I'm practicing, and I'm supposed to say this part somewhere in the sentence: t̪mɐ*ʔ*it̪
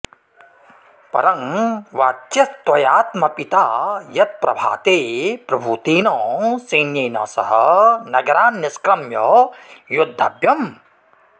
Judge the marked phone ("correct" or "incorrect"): incorrect